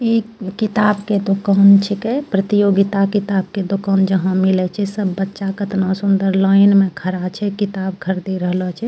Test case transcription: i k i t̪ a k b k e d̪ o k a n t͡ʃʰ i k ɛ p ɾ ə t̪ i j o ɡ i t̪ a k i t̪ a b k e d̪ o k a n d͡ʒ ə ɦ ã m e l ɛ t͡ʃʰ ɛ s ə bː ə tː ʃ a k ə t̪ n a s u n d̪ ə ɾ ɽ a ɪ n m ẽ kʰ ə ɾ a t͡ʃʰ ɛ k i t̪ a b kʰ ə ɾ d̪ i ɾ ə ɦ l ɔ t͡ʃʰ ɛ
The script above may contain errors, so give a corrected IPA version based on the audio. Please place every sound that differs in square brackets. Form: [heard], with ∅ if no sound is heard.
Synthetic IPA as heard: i k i t̪ a [∅] b k e d̪ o k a n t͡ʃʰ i k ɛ p ɾ ə t̪ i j o ɡ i t̪ a k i t̪ a b k e d̪ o k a n d͡ʒ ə ɦ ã m [i] l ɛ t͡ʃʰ ɛ s ə bː ə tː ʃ a k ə t̪ n a s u n d̪ ə ɾ [l] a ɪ n m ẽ kʰ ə ɾ a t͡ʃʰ ɛ k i t̪ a b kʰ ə ɾ d̪ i ɾ ə ɦ l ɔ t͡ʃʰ ɛ